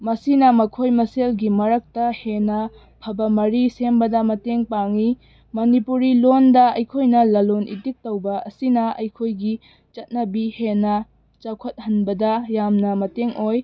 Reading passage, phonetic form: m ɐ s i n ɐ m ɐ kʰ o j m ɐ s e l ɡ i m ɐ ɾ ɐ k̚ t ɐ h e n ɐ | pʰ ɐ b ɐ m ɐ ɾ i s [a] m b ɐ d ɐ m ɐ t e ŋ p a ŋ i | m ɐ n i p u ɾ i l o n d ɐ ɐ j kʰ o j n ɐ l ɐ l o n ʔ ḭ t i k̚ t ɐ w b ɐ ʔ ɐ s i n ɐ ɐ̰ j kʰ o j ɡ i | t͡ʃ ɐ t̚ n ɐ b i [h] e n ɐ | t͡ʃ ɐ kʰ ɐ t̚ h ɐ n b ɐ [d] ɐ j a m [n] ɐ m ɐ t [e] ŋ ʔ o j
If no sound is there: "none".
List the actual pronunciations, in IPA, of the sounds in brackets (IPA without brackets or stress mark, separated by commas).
e, h, d, n, e